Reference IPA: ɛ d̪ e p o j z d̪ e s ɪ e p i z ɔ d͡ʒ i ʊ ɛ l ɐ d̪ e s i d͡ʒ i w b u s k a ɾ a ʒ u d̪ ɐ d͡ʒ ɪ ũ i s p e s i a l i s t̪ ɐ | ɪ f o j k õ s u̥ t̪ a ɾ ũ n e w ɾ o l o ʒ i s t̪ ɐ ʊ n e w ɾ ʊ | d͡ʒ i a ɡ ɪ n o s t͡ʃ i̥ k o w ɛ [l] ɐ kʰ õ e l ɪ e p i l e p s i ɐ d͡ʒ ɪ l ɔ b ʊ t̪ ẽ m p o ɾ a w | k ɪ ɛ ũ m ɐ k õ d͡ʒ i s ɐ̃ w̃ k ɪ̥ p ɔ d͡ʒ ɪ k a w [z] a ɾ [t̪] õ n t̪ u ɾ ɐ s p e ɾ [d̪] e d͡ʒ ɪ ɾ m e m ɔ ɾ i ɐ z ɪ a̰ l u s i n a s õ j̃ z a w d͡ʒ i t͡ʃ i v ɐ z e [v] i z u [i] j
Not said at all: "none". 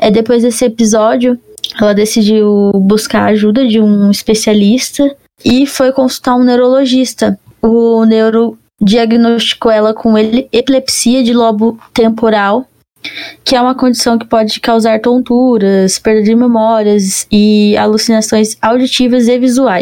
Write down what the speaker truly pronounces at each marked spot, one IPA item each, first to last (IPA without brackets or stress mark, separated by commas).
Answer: l, z, t̪, d̪, v, a